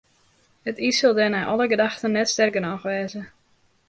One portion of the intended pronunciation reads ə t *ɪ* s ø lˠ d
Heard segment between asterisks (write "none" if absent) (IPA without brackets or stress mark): i